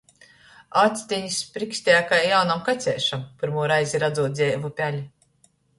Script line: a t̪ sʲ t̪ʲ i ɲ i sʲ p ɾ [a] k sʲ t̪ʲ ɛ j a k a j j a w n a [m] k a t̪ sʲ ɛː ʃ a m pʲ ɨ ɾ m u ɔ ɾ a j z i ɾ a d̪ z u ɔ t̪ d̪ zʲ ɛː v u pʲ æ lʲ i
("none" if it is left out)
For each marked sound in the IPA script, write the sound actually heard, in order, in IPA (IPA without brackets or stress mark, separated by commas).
i, m